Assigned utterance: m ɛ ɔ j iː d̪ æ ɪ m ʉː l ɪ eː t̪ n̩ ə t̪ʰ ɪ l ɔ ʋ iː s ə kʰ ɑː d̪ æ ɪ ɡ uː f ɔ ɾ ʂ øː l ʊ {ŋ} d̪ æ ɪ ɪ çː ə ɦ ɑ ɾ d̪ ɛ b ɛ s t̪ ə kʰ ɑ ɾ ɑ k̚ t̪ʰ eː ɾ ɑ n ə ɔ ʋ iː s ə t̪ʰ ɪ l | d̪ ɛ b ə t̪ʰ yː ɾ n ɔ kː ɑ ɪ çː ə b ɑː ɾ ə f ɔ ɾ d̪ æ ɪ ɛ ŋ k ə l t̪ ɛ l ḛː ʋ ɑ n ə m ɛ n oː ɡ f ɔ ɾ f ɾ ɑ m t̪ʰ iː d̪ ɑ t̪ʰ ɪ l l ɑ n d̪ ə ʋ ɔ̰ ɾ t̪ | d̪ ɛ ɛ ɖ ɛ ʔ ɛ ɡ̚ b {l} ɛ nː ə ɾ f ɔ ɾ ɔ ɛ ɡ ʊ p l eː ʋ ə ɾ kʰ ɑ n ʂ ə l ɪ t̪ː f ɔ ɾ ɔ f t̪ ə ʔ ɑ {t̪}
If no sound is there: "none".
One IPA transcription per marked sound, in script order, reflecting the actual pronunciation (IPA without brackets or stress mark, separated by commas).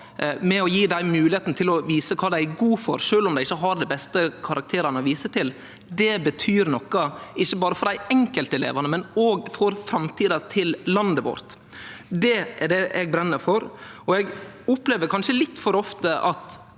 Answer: m, ɾ, t̪